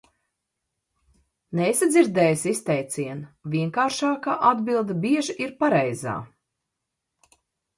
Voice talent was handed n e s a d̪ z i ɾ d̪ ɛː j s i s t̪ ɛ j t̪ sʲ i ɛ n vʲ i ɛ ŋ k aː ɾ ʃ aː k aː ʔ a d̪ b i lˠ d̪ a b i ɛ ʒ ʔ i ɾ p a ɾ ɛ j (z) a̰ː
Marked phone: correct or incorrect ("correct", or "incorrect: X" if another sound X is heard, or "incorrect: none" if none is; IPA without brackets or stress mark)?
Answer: correct